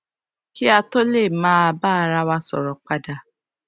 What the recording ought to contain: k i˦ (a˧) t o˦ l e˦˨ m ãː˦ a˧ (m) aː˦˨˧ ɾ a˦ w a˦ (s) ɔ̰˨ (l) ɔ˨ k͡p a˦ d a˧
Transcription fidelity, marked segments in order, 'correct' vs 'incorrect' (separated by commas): correct, incorrect, correct, incorrect